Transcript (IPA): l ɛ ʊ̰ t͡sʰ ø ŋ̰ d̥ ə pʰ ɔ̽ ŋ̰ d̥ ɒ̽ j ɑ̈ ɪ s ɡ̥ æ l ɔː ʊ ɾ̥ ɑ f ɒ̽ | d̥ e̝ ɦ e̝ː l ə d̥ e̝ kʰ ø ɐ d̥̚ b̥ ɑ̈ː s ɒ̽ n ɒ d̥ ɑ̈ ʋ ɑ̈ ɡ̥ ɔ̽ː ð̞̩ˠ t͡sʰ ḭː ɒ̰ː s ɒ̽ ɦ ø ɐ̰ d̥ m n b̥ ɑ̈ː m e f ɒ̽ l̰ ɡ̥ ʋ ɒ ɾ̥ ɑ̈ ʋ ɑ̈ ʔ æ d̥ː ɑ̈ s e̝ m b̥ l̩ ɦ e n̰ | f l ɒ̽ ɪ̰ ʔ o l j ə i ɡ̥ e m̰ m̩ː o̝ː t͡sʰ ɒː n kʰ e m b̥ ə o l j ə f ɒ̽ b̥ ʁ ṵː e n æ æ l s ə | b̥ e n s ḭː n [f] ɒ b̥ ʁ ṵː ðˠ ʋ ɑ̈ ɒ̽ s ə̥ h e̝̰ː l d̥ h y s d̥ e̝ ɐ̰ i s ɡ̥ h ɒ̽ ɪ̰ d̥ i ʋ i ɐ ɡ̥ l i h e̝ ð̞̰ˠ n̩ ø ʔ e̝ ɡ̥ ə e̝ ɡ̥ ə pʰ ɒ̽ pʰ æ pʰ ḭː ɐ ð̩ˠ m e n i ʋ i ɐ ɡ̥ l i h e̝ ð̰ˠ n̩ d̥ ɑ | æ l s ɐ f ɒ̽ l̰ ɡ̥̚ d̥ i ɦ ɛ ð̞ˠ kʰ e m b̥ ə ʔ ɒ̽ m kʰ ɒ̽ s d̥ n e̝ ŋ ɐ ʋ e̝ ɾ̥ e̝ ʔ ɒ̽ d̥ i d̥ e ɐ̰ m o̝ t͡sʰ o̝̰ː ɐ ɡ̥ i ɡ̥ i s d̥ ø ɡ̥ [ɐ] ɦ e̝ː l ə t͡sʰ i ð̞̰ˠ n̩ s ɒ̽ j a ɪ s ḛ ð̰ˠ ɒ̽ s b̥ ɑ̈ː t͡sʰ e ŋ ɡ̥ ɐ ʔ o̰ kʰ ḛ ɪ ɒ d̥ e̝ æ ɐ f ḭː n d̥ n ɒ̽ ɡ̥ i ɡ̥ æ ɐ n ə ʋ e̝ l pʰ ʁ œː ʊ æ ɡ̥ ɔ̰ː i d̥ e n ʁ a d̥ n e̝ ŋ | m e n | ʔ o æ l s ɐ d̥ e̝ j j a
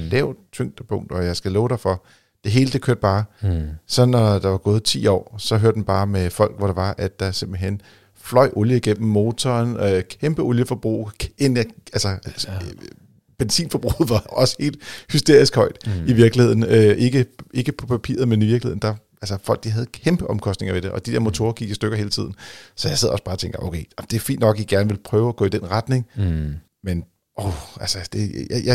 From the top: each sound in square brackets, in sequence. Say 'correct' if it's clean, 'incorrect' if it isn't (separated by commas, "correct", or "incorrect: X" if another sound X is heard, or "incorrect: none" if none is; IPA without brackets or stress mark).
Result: correct, correct